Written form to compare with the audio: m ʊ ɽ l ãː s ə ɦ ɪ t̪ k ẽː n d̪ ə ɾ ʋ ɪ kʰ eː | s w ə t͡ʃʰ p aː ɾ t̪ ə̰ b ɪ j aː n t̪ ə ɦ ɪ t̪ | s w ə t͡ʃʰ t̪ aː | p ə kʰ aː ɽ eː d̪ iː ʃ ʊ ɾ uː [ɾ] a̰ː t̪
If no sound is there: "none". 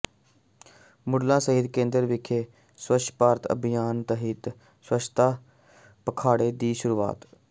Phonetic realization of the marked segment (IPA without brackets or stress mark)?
none